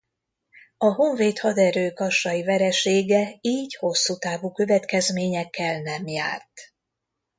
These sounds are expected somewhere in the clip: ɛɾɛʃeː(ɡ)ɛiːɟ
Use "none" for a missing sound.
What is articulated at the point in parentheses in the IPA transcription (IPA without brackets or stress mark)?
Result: ɡ